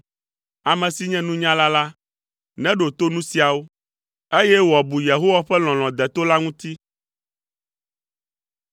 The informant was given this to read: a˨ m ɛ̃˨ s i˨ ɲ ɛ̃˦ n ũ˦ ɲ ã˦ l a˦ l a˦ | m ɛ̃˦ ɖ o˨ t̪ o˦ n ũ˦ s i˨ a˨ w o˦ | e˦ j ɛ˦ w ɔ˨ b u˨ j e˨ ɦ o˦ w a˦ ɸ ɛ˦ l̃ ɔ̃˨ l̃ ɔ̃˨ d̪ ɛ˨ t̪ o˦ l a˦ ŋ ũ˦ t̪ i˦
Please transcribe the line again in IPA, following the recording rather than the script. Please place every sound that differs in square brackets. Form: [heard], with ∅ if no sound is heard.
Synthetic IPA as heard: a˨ m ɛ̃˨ s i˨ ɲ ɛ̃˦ n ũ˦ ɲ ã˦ l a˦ l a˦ | [n] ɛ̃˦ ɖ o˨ t̪ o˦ n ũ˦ s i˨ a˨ w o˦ | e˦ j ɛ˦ w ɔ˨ b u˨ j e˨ ɦ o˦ w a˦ ɸ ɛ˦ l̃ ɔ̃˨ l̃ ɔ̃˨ d̪ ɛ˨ t̪ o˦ l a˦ ŋ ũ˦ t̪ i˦